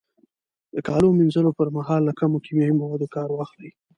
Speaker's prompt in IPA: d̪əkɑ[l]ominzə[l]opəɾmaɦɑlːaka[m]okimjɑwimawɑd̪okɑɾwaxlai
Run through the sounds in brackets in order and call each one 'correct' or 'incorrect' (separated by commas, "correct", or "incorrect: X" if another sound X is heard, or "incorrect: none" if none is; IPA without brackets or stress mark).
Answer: correct, correct, correct